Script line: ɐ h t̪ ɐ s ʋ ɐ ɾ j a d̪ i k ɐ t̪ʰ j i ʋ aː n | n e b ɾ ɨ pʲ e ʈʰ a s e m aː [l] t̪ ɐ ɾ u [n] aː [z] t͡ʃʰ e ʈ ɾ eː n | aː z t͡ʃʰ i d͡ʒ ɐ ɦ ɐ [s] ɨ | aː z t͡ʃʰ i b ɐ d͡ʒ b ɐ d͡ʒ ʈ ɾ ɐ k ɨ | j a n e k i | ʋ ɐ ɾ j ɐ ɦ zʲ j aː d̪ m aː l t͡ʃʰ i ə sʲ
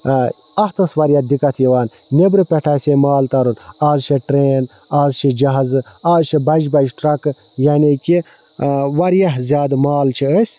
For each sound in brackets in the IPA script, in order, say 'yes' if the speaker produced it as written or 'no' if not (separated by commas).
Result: yes, yes, yes, no